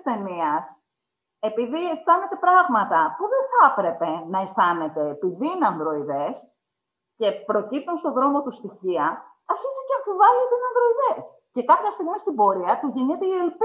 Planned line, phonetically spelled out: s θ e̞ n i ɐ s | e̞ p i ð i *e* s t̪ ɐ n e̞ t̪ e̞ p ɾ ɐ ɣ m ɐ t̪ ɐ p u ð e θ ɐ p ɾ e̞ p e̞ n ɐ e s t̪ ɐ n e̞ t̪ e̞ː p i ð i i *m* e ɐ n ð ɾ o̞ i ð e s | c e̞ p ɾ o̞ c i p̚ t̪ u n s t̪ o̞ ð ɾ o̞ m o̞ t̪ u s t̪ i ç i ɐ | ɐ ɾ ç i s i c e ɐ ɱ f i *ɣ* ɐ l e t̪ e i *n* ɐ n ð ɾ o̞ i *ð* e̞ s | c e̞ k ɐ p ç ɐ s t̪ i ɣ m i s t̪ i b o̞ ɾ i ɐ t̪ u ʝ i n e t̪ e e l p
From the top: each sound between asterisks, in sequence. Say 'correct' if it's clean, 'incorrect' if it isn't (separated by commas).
correct, incorrect, incorrect, correct, correct